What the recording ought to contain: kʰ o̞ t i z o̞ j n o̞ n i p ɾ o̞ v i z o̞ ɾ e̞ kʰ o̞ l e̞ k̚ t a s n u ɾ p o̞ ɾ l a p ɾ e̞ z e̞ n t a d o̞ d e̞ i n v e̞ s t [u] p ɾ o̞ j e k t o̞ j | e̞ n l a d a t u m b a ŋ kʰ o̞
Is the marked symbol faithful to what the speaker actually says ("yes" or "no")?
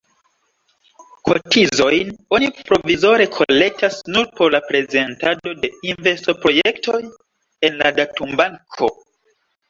no